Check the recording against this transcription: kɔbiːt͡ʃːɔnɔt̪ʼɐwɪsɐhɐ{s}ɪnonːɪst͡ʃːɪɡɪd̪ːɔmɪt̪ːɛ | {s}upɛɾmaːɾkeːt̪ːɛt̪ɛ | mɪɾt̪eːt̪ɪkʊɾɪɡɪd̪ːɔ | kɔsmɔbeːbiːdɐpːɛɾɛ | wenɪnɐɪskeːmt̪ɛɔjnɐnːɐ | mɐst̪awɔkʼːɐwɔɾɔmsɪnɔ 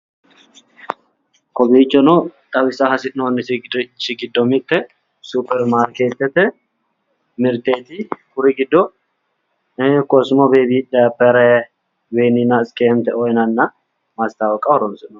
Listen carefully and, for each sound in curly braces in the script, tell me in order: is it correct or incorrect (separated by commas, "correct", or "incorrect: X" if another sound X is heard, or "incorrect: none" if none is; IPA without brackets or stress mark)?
correct, correct